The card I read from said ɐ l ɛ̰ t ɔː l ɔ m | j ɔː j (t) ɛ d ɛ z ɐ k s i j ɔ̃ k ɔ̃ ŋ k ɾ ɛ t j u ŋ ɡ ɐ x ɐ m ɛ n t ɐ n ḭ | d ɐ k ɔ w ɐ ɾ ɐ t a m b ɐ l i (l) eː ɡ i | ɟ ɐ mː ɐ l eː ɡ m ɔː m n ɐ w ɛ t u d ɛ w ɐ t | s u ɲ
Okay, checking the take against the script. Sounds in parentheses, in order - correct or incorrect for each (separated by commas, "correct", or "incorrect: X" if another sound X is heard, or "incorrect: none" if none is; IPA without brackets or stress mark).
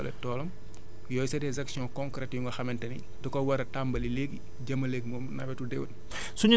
incorrect: s, correct